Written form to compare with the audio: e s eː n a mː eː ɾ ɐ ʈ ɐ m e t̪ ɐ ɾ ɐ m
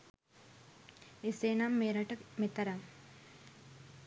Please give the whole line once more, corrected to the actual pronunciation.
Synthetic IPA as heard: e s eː n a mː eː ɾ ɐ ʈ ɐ m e t̪ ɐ ɾ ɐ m